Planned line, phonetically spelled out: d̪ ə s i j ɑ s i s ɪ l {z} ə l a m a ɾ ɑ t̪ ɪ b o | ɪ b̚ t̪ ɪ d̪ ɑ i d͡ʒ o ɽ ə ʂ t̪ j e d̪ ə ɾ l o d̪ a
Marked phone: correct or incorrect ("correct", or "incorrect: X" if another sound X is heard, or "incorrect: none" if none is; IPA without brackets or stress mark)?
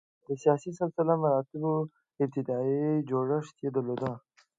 incorrect: s